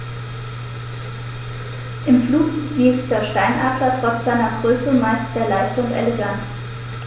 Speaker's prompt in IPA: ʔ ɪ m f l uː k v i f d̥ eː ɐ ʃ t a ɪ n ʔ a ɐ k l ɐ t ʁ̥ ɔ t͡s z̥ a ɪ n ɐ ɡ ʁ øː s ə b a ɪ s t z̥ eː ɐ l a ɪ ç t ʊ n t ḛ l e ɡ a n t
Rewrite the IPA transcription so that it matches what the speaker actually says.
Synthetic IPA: ʔ ɪ m f l uː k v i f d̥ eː ɐ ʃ t a ɪ n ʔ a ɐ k l ɐ t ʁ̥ ɔ t͡s z̥ a ɪ n ɐ ɡ ʁ øː s ə m a ɪ s t z̥ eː ɐ l a ɪ ç t ʊ n t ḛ l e ɡ a n t